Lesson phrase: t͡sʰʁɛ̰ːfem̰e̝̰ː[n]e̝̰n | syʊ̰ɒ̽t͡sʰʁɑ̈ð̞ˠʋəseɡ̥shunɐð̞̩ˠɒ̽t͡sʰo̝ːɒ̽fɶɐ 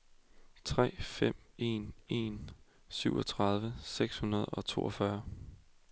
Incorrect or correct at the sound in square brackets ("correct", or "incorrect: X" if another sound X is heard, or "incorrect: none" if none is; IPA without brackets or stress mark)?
correct